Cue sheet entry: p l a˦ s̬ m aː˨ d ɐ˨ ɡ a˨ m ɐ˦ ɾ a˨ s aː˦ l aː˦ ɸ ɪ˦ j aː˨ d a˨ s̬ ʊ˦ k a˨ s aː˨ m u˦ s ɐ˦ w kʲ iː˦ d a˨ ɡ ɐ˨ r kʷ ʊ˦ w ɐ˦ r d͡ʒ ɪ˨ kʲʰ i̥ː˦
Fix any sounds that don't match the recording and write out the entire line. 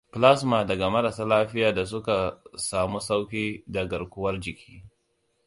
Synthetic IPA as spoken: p l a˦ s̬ m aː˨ d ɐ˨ ɡ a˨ m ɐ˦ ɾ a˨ s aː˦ l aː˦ ɸ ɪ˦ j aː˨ d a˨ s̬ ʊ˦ k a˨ s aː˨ m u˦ s a˦ w kʲ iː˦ d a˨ ɡ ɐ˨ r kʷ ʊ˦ w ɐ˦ r d͡ʒ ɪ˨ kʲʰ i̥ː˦